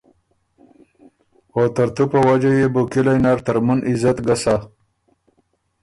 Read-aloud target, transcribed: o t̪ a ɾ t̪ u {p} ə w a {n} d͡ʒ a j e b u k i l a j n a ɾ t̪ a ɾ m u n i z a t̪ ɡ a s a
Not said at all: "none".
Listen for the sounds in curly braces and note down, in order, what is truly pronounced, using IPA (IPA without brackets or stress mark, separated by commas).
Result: p, none